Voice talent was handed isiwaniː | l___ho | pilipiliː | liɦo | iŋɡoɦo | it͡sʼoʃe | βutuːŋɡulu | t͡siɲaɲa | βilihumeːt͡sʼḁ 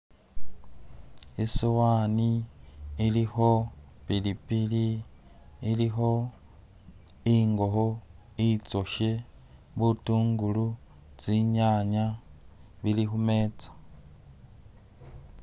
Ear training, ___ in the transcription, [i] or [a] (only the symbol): i